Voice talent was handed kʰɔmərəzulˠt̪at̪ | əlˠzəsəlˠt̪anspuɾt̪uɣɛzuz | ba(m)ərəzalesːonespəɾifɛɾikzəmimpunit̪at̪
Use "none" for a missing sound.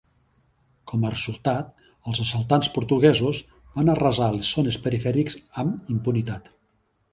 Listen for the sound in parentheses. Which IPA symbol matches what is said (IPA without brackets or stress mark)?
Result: n